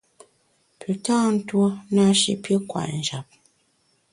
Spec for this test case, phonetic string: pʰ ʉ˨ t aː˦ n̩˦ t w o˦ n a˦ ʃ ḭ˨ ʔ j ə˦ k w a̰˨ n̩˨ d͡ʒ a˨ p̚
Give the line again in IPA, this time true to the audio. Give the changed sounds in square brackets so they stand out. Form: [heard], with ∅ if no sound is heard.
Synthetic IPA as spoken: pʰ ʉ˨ t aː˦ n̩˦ t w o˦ n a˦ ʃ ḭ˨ [p] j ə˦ k w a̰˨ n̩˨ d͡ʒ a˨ p̚

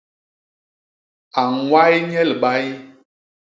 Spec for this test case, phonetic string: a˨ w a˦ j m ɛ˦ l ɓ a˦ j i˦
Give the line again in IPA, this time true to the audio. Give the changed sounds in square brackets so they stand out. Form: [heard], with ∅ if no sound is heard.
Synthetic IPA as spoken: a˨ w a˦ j [ɲ] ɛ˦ l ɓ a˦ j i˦

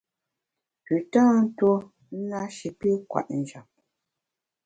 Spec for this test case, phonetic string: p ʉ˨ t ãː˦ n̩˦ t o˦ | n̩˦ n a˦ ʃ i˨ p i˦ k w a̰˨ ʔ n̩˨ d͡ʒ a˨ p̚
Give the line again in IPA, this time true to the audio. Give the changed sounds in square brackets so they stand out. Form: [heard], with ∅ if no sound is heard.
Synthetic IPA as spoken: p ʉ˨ t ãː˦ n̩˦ t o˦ | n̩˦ n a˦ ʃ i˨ p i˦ k w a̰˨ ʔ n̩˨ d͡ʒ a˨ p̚

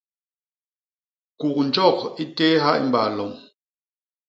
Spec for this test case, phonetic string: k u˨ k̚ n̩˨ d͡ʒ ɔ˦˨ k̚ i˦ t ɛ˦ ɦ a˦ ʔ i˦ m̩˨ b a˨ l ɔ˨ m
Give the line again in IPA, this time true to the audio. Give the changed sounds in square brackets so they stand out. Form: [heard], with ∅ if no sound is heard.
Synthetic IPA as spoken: k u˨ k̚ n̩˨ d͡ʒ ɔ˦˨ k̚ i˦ t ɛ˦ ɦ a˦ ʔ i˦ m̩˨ b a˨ l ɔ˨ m

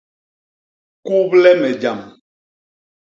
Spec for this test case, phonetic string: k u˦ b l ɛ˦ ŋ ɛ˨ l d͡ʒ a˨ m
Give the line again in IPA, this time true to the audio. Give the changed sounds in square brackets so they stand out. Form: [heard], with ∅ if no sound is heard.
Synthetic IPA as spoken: k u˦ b l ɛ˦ [m] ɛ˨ [∅] d͡ʒ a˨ m

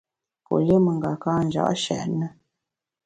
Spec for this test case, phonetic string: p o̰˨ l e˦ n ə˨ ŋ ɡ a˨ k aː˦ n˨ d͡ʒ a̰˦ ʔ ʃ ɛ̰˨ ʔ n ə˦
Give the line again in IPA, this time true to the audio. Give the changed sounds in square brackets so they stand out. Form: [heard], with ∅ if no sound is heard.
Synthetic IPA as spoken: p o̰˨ l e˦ [m] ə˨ ŋ ɡ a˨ k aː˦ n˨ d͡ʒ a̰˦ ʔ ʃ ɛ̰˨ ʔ n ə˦

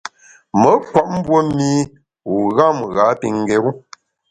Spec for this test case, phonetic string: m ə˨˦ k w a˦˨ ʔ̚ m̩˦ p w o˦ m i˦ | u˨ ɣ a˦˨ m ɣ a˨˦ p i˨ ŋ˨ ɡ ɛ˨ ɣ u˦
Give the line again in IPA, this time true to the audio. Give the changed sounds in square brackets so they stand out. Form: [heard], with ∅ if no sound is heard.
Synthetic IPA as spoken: m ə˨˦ k w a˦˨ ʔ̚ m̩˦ [b] w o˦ m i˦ | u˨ ɣ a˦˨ m ɣ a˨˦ p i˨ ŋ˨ ɡ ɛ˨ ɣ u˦

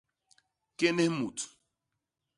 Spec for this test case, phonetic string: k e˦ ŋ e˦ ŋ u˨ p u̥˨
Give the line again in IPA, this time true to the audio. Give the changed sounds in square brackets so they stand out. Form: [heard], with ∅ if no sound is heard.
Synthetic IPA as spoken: k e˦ [n] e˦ [m] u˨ [t] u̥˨

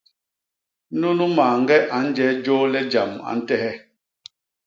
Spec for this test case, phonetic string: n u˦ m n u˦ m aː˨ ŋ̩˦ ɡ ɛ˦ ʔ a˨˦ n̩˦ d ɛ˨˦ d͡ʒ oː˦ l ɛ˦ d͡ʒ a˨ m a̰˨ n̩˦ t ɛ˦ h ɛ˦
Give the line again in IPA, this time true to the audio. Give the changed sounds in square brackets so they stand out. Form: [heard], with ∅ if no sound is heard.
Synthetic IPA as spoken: n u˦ [∅] n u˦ m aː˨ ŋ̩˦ ɡ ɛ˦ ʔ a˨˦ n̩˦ [d͡ʒ] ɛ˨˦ d͡ʒ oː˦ l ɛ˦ d͡ʒ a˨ m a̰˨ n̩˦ t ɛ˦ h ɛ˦

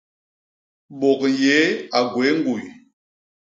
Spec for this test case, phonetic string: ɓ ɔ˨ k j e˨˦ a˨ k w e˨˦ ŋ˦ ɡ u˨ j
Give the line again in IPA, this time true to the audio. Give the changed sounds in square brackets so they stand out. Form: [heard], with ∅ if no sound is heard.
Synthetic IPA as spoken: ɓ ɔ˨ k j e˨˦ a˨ [ɡ] w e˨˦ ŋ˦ ɡ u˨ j

